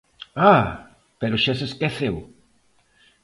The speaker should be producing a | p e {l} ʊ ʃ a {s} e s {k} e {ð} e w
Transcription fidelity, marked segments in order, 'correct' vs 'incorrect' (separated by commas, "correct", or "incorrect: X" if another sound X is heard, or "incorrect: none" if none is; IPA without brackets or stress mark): incorrect: ɾ, correct, correct, incorrect: θ